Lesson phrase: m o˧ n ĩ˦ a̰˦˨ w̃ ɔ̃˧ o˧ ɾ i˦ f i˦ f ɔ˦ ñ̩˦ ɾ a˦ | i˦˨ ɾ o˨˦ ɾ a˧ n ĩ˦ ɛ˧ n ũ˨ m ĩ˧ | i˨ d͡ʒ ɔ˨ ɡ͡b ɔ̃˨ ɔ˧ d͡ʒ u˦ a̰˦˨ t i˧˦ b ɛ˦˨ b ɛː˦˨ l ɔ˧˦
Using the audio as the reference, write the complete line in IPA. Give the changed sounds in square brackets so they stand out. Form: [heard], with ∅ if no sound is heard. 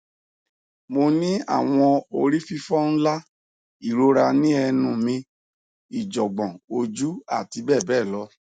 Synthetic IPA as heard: m o˧ n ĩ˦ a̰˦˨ w̃ ɔ̃˧ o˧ ɾ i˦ f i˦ f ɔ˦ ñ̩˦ [l] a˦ | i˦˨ ɾ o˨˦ ɾ a˧ n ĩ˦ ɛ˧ n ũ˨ m ĩ˧ | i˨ d͡ʒ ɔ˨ ɡ͡b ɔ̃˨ [o˧] d͡ʒ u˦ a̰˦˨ t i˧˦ b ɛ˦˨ b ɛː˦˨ l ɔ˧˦